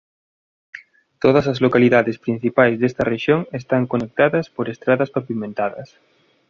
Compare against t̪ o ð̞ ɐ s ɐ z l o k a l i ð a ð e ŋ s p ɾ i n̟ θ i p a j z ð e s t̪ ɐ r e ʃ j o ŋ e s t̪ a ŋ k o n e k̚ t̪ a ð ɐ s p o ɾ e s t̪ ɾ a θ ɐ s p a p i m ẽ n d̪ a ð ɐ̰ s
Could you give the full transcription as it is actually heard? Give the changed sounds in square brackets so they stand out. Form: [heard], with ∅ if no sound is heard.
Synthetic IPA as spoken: t̪ o ð̞ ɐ s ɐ z l o k a l i ð a ð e [∅] s p ɾ i n̟ θ i p a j z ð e s t̪ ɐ r e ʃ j o ŋ e s t̪ a ŋ k o n e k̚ t̪ a ð ɐ s p o ɾ e s t̪ ɾ a [ð] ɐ s p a p i m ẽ n [t̪] a ð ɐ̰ s